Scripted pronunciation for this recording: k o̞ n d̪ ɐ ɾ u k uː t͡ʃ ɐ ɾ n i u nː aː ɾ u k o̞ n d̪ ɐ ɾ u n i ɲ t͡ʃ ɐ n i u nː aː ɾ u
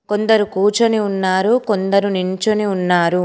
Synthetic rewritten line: k o̞ n d̪ ɐ ɾ u k uː t͡ʃ ɐ n i u nː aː ɾ u k o̞ n d̪ ɐ ɾ u n i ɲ t͡ʃ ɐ n i u nː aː ɾ u